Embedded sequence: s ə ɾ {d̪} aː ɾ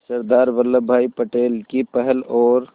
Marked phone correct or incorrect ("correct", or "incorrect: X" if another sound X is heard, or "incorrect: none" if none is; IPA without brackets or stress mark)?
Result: correct